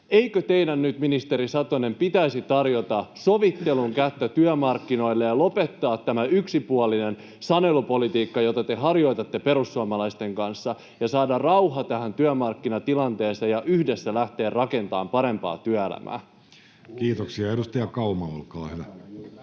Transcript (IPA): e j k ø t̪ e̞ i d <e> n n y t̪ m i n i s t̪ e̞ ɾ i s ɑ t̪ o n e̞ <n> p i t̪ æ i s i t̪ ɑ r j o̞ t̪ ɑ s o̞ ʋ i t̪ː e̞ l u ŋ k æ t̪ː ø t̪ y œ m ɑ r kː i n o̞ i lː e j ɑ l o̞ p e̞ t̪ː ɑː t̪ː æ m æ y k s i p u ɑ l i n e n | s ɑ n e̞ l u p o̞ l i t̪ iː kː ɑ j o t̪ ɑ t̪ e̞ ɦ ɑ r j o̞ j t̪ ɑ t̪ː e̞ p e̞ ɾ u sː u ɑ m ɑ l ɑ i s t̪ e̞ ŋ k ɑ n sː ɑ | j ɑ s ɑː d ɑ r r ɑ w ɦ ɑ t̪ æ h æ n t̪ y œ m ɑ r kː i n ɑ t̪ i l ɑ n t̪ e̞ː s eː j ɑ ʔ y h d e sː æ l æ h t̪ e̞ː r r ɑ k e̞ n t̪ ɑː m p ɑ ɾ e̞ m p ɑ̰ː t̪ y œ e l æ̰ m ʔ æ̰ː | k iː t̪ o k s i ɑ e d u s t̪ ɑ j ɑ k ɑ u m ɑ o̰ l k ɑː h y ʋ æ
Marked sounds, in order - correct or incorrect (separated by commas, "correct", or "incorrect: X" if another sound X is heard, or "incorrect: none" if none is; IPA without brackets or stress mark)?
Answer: incorrect: æ, incorrect: m